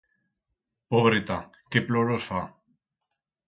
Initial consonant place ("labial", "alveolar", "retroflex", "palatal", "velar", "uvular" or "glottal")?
labial